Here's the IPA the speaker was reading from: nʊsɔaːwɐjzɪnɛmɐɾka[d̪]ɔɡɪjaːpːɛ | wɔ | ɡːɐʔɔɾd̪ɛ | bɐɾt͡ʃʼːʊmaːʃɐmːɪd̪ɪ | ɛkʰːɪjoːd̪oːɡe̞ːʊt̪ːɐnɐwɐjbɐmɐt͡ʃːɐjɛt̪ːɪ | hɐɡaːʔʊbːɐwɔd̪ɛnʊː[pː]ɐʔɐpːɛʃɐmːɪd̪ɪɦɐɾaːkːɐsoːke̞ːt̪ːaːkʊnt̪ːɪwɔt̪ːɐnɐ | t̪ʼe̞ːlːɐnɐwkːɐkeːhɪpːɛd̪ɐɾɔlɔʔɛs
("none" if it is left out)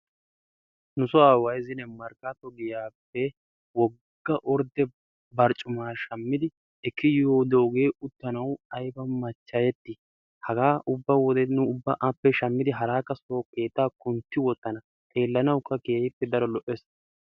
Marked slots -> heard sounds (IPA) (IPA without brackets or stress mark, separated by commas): t̪, bː